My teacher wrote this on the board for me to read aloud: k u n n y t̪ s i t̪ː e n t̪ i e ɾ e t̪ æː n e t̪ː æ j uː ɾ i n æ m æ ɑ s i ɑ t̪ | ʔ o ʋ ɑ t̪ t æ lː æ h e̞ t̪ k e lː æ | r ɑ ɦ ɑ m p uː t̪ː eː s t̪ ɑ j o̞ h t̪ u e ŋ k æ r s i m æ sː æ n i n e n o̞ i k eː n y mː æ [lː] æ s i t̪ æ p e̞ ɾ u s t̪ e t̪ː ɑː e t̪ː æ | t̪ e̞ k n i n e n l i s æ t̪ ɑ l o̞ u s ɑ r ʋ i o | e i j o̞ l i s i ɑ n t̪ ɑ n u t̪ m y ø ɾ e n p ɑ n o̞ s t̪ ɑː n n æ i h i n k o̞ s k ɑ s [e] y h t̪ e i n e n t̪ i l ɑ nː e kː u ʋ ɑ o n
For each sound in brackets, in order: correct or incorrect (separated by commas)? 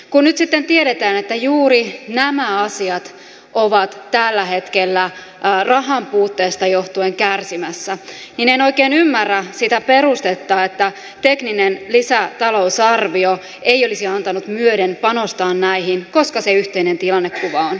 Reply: incorrect, correct